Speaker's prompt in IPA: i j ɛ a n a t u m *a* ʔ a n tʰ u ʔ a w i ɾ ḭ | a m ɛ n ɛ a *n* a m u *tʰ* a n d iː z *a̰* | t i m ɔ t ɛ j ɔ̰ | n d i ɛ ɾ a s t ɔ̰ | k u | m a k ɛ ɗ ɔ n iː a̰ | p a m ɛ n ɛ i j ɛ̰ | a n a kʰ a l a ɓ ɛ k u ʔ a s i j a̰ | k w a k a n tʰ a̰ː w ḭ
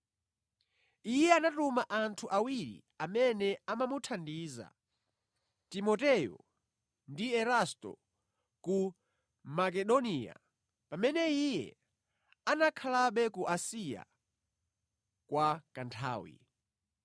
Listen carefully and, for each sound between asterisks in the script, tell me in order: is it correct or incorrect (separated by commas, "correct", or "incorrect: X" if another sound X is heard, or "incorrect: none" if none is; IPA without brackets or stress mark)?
correct, incorrect: m, correct, correct